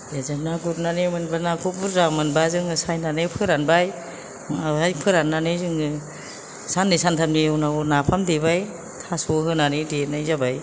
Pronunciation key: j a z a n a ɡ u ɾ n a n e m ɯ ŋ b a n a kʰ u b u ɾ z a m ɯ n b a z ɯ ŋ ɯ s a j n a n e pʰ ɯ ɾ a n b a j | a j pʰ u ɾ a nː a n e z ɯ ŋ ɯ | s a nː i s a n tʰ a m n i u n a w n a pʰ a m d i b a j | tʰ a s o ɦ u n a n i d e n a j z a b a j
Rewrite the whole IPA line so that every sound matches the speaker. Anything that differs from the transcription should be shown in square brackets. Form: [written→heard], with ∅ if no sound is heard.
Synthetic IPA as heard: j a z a n a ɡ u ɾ n a n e m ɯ [ŋ→n] b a n a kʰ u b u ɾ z a m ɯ n b a z ɯ ŋ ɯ s a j n a n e pʰ ɯ ɾ a n b a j | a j pʰ [u→ɯ] ɾ a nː a n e z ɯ ŋ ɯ | s a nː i s a n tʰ a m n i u n a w n a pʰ a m d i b a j | tʰ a s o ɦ [u→ɯ] n a n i d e n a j z a b a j